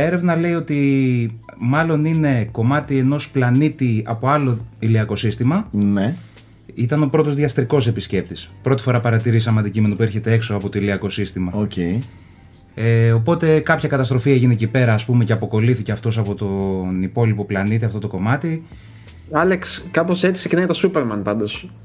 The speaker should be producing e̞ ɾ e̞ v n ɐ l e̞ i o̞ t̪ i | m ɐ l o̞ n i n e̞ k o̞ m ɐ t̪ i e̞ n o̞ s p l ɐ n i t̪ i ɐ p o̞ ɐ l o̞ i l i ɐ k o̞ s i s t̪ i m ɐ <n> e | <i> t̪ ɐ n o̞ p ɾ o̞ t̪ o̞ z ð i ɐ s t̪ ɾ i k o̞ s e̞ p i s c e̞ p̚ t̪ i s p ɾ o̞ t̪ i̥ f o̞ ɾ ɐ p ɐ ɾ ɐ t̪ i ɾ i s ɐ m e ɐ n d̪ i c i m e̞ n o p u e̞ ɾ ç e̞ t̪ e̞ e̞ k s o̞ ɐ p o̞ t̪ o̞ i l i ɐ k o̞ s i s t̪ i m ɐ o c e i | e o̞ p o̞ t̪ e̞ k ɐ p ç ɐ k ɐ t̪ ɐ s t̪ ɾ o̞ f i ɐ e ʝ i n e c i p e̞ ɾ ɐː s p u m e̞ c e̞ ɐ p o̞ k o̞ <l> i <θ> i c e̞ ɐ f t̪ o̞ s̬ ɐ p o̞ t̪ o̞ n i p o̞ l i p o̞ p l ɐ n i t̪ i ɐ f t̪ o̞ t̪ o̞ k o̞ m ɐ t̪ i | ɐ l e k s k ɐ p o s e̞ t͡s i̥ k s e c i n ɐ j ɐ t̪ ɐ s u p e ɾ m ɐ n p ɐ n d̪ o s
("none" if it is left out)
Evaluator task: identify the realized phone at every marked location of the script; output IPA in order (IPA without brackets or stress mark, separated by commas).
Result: n, i, l, θ